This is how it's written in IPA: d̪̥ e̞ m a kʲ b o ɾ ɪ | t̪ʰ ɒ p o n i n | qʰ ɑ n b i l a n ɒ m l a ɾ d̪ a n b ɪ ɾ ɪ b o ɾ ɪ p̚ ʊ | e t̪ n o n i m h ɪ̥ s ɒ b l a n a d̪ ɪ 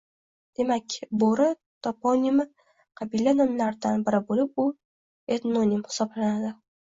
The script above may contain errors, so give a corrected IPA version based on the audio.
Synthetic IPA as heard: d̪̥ e̞ m a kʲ b o ɾ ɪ | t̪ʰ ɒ p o n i m | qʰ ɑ b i l a n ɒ m l a ɾ d̪ a n b ɪ ɾ ɪ b o l ɪ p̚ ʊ | e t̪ n o n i m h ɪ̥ s ɒ b l a n a d̪ ɪ